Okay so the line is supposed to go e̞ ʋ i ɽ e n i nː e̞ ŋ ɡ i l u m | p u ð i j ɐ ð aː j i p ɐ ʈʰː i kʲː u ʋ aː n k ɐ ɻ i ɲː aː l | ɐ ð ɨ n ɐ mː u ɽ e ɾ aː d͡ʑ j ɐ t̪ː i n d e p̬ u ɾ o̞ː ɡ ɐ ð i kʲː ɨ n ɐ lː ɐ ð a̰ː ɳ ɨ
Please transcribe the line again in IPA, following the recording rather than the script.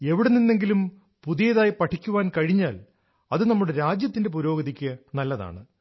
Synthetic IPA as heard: e̞ ʋ i ɽ e n i nː e̞ ŋ ɡ i l u m | p u ð i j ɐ ð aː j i p ɐ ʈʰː i kʲː u ʋ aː n k ɐ ɻ i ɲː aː l | ɐ ð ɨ n ɐ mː u ɽ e ɾ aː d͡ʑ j ɐ t̪ː i n d e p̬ u ɾ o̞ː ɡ ɐ ð i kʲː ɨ n ɐ lː ɐ ð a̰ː ɳ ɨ

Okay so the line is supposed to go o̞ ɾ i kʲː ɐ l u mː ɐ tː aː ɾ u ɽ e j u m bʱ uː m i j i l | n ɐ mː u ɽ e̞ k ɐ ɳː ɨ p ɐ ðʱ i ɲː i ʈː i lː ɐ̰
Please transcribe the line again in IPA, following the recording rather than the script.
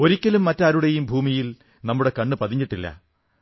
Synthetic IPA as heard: o̞ ɾ i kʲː ɐ l u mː ɐ tː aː ɾ u ɽ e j u m bʱ uː m i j i l | n ɐ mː u ɽ e̞ k ɐ ɳː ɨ p ɐ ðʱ i ɲː i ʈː i lː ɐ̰

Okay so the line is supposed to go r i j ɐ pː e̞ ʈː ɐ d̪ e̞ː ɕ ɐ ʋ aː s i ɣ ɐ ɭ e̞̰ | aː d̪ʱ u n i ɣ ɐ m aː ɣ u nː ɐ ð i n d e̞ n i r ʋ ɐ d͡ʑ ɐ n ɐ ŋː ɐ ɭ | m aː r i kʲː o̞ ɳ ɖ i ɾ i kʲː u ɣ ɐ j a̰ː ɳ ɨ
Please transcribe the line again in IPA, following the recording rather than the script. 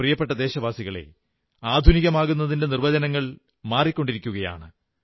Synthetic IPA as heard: r i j ɐ pː e̞ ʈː ɐ d̪ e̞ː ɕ ɐ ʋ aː s i ɣ ɐ ɭ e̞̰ | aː d̪ʱ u n i ɣ ɐ m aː ɣ u nː ɐ ð i n d e̞ n i r ʋ ɐ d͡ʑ ɐ n ɐ ŋː ɐ ɭ | m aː r i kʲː o̞ ɳ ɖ i ɾ i kʲː u ɣ ɐ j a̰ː ɳ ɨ

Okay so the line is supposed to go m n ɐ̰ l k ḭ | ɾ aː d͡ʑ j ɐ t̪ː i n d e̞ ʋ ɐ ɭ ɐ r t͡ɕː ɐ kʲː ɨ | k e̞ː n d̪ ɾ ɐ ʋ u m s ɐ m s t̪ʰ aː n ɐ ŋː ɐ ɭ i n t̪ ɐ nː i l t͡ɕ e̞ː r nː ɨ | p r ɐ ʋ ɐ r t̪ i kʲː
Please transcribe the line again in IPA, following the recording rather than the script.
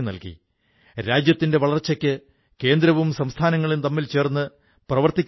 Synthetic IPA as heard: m n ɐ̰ l k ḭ | ɾ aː d͡ʑ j ɐ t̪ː i n d e̞ ʋ ɐ ɭ ɐ r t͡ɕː ɐ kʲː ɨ | k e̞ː n d̪ ɾ ɐ ʋ u m s ɐ m s t̪ʰ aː n ɐ ŋː ɐ ɭ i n t̪ ɐ mː i l t͡ɕ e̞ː r nː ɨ | p r ɐ ʋ ɐ r t̪ i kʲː

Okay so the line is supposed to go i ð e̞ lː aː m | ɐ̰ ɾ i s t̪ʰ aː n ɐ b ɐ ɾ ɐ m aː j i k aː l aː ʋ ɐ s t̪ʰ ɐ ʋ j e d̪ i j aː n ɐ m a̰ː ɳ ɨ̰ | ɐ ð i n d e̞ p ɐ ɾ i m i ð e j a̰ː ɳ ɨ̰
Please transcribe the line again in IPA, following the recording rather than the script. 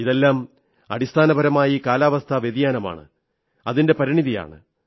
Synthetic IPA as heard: i ð e̞ lː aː m | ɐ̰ ɽ i s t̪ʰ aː n ɐ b ɐ ɾ ɐ m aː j i k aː l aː ʋ ɐ s t̪ʰ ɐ ʋ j e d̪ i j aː n ɐ m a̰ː ɳ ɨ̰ | ɐ ð i n d e̞ p ɐ ɾ i ɳ i ð i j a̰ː ɳ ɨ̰

